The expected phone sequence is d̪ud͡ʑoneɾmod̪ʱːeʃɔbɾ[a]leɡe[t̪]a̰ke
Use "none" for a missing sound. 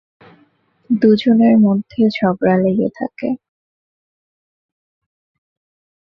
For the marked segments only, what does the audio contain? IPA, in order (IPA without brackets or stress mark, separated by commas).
a, t̪ʰ